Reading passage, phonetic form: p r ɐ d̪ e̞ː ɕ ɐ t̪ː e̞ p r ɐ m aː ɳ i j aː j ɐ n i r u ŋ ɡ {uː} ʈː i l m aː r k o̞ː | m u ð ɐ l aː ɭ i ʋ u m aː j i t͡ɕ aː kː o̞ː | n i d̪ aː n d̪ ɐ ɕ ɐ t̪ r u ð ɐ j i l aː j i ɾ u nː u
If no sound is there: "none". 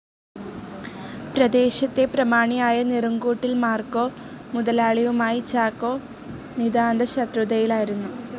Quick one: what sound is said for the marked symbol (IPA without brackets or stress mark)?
uː